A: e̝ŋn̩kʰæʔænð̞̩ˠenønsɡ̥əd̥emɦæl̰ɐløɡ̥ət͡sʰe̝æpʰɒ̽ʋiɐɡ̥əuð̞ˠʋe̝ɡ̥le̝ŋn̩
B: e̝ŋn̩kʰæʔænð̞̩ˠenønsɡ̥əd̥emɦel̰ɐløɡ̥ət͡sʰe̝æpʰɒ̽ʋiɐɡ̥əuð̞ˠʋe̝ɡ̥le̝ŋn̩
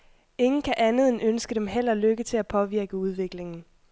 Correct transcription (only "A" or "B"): B